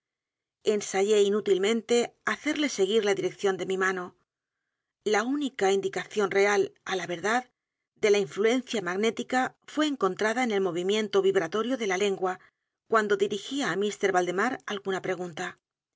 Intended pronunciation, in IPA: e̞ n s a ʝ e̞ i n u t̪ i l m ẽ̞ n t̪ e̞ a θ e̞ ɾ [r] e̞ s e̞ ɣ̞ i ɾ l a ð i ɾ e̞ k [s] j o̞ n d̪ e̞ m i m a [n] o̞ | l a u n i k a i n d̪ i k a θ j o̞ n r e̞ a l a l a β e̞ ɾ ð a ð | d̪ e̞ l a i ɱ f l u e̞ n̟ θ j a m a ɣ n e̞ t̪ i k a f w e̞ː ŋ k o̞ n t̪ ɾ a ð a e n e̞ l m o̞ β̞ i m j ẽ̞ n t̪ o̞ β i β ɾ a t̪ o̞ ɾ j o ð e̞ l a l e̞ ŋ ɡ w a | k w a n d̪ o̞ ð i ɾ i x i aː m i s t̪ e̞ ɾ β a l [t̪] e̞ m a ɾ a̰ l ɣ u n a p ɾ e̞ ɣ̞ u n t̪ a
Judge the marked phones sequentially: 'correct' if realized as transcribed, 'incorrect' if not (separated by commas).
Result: incorrect, incorrect, correct, incorrect